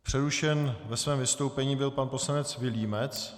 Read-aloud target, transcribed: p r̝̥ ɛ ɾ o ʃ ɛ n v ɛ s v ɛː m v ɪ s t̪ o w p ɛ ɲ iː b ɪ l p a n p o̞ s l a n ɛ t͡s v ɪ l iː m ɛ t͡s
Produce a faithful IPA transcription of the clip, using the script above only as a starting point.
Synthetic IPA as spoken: p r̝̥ ɛ ɾ u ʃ ɛ n v ɛ s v ɛː m v ɪ s t̪ o w p ɛ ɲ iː b ɪ l p a n p o̞ s l a n ɛ t͡s v ɪ l iː m ɛ t͡s